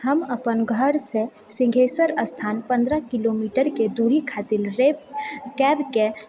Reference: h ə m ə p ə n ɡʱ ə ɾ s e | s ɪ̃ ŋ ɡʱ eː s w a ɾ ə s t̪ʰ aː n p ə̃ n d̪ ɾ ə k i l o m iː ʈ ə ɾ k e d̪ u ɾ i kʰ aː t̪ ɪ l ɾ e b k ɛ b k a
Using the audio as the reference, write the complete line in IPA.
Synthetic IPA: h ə m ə p ə n ɡʱ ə ɾ s e | s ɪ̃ ŋ ɡʱ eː s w ə ɾ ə s t̪ʰ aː n p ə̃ n d̪ ɾ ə k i l o m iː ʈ ə ɾ k e d̪ u ɾ i kʰ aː t̪ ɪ l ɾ e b k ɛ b k e